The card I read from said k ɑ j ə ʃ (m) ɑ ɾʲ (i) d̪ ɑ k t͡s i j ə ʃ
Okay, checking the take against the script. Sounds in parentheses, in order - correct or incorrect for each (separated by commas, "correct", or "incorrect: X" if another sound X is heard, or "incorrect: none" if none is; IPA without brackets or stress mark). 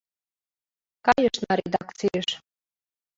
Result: incorrect: n, incorrect: e